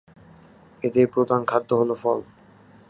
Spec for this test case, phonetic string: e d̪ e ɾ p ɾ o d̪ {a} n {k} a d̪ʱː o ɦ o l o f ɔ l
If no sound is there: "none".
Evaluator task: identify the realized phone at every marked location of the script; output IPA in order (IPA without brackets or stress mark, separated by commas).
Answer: a, kʰ